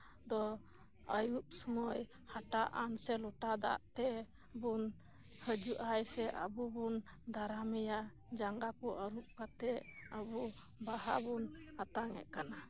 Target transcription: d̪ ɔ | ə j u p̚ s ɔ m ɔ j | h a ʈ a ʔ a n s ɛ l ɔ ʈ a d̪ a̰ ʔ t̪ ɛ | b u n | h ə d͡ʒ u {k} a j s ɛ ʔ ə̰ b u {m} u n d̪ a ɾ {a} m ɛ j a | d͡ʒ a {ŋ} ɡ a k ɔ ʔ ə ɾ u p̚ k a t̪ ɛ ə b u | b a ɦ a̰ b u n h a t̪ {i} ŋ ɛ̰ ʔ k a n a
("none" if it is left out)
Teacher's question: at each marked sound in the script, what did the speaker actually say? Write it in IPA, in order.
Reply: ʔ, b, a, ŋ, a

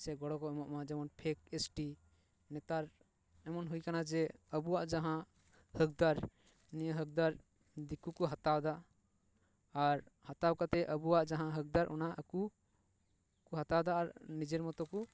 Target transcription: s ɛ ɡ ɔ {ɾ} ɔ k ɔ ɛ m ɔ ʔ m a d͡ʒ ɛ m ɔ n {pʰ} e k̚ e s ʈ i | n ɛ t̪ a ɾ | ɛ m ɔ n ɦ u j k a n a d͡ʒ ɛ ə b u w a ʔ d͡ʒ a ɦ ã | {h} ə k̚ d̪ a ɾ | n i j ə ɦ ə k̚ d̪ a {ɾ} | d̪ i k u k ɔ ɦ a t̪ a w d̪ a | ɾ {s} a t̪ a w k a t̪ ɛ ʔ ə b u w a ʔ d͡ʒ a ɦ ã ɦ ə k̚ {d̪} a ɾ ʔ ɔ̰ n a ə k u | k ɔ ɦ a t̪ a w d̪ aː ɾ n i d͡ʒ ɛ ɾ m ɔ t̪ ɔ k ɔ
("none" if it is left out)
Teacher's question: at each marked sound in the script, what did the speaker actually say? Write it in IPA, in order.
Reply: ɽ, pʰ, h, ɾ, h, d̪

